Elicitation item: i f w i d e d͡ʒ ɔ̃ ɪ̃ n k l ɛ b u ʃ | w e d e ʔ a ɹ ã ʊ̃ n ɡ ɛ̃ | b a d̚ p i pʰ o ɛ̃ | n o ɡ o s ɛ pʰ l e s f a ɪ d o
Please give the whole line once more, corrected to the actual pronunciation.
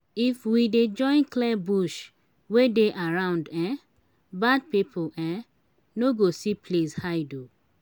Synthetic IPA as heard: i f w i d e d͡ʒ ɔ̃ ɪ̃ n k l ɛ b u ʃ | w e d e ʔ a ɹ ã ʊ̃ n d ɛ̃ | b a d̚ p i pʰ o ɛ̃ | n o ɡ o s i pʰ l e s h a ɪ d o

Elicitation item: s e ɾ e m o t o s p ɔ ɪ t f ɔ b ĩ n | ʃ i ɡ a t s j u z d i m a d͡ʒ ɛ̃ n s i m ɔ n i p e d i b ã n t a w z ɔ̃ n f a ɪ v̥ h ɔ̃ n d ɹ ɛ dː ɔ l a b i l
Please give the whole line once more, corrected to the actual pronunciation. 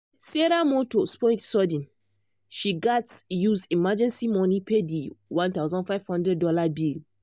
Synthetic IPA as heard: s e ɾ a m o t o s p ɔ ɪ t s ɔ d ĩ n | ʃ i ɡ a t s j u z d i m a d͡ʒ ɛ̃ n s i m ɔ n i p e d i w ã n t a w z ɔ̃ n f a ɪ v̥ h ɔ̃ n d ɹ ɛ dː ɔ l a b i l

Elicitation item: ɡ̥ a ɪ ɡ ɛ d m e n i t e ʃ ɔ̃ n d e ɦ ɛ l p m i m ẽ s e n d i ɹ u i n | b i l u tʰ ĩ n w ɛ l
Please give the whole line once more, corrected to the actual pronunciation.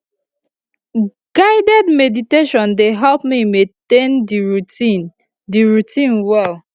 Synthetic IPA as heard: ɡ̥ a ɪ d ɛ d m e d i t e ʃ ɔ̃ n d e ɦ ɛ l p m i m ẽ t e n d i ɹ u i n | d i ɹ u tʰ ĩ n w ɛ l

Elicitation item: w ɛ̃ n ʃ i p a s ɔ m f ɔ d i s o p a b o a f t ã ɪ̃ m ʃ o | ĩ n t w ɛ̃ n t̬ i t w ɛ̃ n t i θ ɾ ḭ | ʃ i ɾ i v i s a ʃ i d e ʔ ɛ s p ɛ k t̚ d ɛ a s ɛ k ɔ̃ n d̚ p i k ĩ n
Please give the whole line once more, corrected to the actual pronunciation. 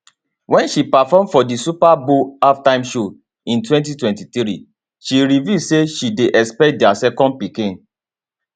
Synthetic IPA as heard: w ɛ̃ n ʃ i p a f ɔ m f ɔ d i s u p a b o a f t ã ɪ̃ m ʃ o | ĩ n t w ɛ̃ n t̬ i t w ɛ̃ n t i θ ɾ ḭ | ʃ i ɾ i v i s e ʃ i d e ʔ ɛ s p ɛ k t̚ d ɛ a s ɛ k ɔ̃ n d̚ p i k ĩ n

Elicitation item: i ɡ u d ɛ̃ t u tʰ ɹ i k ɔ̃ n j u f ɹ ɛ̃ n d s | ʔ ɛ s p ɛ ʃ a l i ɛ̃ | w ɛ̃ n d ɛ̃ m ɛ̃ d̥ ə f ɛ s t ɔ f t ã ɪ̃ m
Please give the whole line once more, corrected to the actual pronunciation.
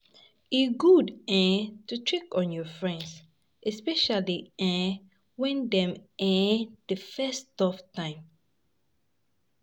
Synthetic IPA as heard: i ɡ u d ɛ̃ t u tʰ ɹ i k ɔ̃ n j ɔ f ɹ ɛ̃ n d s | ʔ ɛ s p ɛ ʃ a l i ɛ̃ | w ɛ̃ n d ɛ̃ m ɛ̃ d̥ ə f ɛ s t ɔ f t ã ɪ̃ m

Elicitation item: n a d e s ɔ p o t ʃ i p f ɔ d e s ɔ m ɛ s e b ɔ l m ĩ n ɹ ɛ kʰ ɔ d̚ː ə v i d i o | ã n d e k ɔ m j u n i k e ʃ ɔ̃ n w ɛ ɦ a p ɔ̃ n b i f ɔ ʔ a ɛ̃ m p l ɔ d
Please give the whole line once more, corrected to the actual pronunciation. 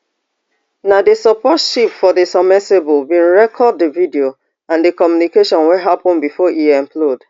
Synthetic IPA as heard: n a d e s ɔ p ɔ t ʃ i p f ɔ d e s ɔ m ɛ s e b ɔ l b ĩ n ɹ ɛ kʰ ɔ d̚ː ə v i d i o | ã n d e k ɔ m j u n i k e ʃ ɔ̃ n w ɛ ɦ a p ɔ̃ n b i f ɔ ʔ i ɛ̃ m p l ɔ d

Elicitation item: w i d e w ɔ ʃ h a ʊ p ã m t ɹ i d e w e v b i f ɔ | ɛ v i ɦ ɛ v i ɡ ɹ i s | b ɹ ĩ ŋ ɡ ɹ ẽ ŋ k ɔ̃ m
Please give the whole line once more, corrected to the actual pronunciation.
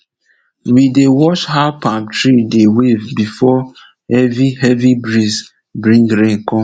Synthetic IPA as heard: w i d e w ɔ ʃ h a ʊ p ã m t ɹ i d e w e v b i f ɔ | ɛ v i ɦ ɛ v i b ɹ i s | b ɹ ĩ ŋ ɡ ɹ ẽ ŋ k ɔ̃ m

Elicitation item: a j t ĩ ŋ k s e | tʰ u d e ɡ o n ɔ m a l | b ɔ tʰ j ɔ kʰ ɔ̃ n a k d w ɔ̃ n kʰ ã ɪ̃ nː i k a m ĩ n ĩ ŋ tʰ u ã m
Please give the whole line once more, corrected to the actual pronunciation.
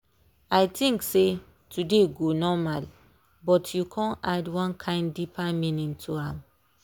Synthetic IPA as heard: a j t ĩ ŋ k s e | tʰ u d e ɡ o n ɔ m a l | b ɔ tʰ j u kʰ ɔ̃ n a d w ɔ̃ n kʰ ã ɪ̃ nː i p a m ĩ n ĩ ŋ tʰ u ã m

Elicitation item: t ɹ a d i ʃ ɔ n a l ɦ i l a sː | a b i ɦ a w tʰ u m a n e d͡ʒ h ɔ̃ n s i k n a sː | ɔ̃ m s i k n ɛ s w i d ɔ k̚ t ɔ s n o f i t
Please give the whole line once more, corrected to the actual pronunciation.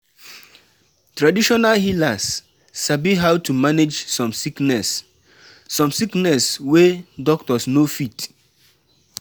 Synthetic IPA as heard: t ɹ a d i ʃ ɔ n a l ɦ i l a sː | a b i ɦ a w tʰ u m a n e d͡ʒ s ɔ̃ m s i k n ɛ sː | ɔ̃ m s i k n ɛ s w e d ɔ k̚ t ɔ s n o f i t

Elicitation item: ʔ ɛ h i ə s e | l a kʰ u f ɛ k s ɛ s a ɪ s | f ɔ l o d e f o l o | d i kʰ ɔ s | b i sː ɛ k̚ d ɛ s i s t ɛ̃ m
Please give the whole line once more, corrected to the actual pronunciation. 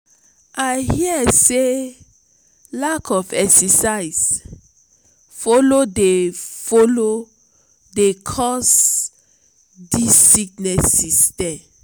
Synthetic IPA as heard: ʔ a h i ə s e | l a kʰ ɔ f ɛ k s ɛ s a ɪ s | f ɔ l o d e f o l o | d e kʰ ɔ s | d i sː i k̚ n ɛ s i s t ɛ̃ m

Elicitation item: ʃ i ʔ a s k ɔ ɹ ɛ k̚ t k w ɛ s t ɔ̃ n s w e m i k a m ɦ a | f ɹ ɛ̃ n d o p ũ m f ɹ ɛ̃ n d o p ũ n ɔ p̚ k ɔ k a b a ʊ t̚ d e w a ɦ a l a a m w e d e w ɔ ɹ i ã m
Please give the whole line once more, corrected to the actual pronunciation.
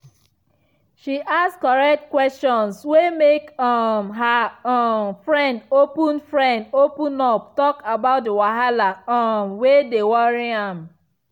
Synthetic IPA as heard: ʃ i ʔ a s k ɔ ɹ ɛ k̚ t k w ɛ s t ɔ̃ n s w e m e k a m ɦ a | f ɹ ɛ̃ n d o p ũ n f ɹ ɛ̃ n d o p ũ n ɔ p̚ t ɔ k a b a ʊ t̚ d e w a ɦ a l a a m w e d e w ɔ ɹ i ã m

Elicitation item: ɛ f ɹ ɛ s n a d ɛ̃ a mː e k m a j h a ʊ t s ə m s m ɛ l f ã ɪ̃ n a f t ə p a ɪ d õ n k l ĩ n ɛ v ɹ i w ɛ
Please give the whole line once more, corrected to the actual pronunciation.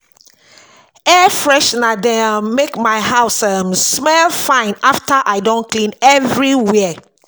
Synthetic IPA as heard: ɛ f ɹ ɛ ʃ n a d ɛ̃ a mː e k m a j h a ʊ s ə m s m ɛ l f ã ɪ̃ n a f t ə ʔ a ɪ d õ n k l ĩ n ɛ v ɹ i w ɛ

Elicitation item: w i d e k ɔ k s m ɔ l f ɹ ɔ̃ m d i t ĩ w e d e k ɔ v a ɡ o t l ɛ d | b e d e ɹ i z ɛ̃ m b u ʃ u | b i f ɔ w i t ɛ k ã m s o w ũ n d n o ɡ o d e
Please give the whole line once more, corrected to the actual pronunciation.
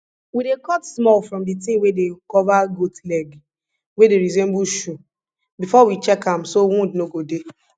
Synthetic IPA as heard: w i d e k ɔ t s m ɔ l f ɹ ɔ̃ m d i t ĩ w e d e k ɔ v a ɡ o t l ɛ ɡ | w e d e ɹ i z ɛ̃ m b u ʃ u | b i f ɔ w i t͡ʃ ɛ k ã m s o w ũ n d n o ɡ o d e

